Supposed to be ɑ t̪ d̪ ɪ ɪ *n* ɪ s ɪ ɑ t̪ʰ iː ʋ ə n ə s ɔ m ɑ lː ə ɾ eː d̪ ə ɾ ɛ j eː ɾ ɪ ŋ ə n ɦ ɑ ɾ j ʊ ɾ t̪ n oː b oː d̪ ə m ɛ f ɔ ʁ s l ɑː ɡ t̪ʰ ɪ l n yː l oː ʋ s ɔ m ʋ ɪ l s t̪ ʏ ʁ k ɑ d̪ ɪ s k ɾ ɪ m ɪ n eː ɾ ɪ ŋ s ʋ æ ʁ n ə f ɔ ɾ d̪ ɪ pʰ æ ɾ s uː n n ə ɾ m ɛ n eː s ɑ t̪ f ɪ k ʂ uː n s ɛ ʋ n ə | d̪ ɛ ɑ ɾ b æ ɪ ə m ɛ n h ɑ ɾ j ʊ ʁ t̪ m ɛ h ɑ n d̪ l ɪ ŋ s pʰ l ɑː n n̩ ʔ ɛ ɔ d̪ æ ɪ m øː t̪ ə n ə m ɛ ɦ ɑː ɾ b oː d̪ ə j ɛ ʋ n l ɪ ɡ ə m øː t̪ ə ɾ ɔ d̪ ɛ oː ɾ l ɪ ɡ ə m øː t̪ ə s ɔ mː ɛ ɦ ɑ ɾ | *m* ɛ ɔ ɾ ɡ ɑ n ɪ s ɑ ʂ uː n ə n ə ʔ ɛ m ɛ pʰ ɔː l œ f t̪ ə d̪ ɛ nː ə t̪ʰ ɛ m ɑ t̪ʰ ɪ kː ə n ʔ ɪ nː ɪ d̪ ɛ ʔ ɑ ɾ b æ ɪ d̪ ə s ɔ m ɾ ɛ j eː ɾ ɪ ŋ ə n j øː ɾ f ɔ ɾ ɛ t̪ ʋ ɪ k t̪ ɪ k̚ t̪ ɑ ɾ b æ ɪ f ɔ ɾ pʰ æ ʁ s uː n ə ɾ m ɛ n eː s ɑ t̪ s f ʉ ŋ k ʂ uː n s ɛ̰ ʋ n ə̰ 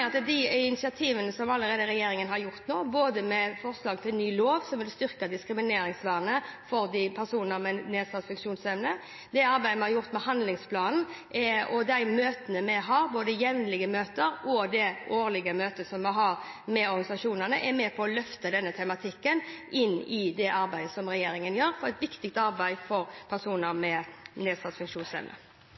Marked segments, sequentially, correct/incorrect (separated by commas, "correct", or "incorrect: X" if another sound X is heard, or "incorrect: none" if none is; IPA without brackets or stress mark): correct, correct